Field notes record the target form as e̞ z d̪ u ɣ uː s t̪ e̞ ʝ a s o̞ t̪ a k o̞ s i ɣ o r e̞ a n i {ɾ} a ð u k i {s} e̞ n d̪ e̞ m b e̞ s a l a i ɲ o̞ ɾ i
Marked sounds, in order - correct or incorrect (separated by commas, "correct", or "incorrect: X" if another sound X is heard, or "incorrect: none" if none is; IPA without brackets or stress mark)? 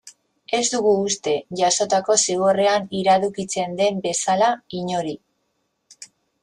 correct, incorrect: t͡s